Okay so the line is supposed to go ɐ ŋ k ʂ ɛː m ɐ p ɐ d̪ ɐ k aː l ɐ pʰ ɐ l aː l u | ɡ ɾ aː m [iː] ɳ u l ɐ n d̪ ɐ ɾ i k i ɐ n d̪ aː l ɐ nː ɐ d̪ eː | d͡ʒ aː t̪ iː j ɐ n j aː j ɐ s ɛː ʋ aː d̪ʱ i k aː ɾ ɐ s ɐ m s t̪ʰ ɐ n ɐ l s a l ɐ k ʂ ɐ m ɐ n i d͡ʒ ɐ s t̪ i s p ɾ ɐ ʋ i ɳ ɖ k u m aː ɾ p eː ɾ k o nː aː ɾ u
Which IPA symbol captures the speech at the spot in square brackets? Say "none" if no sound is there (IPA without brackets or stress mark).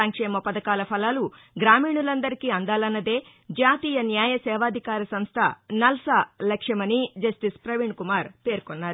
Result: iː